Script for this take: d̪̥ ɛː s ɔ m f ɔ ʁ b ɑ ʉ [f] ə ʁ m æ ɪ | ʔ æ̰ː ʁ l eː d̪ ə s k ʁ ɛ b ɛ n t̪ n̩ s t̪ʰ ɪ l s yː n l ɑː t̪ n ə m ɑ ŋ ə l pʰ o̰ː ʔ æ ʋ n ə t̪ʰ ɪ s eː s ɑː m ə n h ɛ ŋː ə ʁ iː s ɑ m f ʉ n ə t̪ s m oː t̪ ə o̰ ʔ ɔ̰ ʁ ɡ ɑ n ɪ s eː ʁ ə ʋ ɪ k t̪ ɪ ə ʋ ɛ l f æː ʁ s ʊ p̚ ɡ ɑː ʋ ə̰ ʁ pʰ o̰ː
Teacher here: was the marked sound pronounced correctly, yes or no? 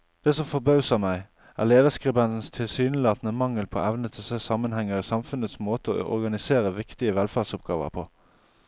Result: no